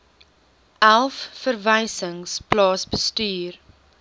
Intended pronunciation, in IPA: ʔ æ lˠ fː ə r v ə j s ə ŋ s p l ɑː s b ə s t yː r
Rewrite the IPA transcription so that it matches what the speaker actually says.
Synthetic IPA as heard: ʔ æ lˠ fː ə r v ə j s ə ŋ s p l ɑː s b ə s t yː r